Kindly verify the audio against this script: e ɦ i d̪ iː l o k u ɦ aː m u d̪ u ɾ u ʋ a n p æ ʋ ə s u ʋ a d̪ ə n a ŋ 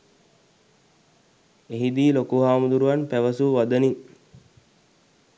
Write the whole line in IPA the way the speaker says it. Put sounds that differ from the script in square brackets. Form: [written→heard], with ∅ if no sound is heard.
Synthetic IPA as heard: e ɦ i d̪ iː l o k u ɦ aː m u d̪ u ɾ u ʋ a n p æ ʋ ə s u ʋ a d̪ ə n [a→i] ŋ